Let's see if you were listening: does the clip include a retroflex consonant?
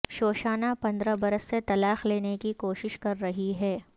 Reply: no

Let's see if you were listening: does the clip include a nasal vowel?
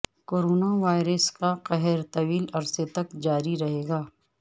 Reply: no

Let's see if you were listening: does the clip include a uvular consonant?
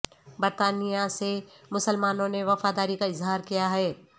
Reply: no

